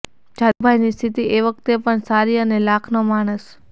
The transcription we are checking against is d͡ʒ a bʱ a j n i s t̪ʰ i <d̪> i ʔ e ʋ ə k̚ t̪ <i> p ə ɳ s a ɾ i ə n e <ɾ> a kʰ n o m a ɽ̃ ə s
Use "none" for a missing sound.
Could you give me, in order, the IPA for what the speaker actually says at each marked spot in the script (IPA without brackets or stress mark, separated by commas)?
t̪, e, l